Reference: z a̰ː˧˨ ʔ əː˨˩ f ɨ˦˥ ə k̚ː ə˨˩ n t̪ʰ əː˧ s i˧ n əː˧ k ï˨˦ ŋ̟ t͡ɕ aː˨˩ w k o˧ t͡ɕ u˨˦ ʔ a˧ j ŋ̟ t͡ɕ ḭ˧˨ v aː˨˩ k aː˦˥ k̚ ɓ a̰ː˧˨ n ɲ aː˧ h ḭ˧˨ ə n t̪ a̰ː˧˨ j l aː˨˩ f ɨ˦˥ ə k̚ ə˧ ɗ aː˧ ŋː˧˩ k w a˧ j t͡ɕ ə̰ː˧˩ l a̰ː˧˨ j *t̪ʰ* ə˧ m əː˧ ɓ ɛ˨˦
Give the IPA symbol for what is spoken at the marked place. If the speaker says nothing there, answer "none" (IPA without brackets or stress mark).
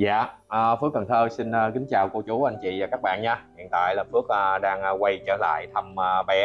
t̪ʰ